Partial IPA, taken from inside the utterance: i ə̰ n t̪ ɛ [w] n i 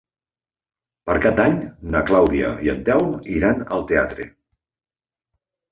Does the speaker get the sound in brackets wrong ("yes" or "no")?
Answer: no